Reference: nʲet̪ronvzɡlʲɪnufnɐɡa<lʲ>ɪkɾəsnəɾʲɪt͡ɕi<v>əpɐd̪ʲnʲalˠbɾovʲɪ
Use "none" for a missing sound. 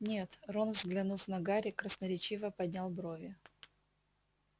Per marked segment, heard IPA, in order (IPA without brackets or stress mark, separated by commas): ɾʲ, v